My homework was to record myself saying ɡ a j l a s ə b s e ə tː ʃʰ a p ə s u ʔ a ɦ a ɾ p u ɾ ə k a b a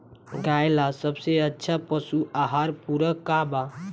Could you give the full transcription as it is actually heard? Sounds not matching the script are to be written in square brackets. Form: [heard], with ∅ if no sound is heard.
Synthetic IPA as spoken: ɡ a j l a s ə b s e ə tː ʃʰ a p ə s u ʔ a ɦ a ɾ p u ɾ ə k a b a

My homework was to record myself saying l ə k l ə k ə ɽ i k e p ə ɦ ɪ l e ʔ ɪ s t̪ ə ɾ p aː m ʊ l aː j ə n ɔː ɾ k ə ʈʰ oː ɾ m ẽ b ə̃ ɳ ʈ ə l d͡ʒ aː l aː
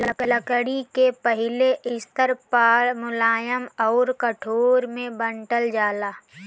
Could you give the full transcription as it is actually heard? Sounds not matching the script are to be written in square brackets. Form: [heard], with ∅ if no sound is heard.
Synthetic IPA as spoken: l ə k l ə k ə ɽ i k e p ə ɦ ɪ l e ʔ ɪ s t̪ ə ɾ p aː m ʊ l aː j ə [m] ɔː ɾ k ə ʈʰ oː ɾ m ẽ b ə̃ ɳ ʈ ə l d͡ʒ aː l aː

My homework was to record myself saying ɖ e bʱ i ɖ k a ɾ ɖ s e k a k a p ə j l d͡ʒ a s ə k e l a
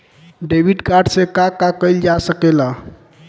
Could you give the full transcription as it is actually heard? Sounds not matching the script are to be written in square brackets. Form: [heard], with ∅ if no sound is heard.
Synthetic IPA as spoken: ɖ e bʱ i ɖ k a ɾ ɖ s e k a k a [k] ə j l d͡ʒ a s ə k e l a

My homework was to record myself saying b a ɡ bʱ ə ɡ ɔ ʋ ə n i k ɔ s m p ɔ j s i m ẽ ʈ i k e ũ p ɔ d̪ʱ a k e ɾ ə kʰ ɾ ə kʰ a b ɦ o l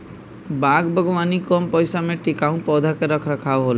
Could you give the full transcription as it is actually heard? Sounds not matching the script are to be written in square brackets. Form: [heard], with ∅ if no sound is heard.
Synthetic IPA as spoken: b a ɡ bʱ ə ɡ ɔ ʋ [a] n i k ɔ [∅] m p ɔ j s [a] m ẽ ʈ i k [a] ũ p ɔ d̪ʱ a k e ɾ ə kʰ ɾ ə kʰ a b ɦ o l

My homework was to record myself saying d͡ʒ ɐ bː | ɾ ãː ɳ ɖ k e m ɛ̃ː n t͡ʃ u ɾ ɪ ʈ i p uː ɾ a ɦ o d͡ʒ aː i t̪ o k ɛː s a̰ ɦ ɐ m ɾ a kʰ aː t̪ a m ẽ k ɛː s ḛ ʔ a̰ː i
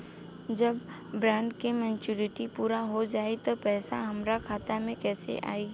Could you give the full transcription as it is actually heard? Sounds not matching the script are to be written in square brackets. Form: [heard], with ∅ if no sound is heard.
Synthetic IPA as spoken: d͡ʒ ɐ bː | ɾ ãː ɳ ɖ k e m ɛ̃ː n t͡ʃ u ɾ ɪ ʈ i p uː ɾ a ɦ o d͡ʒ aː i t̪ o [p] ɛː s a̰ ɦ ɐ m ɾ a kʰ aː t̪ a m ẽ k ɛː s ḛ ʔ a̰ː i

